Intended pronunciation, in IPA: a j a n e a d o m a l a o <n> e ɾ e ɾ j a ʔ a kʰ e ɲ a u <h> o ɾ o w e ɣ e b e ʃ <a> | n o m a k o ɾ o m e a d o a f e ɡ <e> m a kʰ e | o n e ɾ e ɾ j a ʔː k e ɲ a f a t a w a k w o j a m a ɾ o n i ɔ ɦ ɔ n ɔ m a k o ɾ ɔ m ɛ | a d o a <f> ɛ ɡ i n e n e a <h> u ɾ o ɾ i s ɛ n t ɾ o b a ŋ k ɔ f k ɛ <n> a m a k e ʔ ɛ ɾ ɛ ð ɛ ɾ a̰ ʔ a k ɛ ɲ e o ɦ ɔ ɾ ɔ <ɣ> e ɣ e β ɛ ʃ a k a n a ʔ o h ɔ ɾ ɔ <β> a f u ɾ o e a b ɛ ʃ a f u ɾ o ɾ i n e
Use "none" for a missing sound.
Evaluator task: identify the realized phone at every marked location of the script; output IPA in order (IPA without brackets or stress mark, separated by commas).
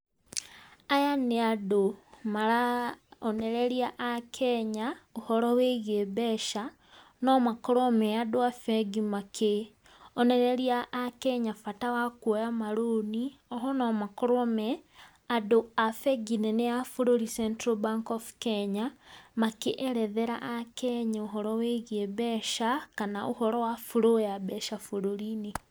n, h, a, i, f, f, ɲ, w, w